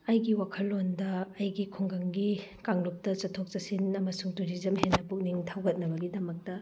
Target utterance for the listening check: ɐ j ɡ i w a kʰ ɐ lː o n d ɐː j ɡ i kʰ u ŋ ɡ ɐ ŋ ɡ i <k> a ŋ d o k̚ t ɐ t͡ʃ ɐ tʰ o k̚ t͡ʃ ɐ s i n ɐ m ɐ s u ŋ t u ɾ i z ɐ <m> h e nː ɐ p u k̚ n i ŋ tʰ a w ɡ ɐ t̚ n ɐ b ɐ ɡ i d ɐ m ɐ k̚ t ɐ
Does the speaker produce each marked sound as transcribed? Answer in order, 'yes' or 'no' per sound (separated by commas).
yes, yes